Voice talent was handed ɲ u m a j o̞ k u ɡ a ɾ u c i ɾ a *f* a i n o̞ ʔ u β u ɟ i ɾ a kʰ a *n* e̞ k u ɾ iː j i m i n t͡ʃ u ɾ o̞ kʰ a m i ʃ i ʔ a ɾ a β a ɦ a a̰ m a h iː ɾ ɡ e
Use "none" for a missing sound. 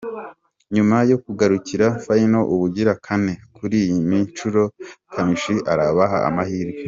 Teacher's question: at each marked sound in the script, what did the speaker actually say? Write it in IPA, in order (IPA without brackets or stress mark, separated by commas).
f, n